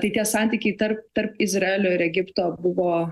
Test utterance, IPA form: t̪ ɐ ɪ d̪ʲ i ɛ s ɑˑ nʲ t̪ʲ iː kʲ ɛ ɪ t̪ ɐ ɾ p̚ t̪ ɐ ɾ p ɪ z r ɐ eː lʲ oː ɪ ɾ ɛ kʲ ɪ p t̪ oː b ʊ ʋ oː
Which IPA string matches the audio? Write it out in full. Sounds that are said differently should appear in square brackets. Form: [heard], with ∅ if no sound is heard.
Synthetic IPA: t̪ ɐ ɪ [t̪ʲ] i ɛ s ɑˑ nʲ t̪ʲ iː kʲ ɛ ɪ t̪ ɐ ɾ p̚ t̪ ɐ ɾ p ɪ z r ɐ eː lʲ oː ɪ ɾ ɛ [ɡʲ] ɪ p t̪ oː b ʊ ʋ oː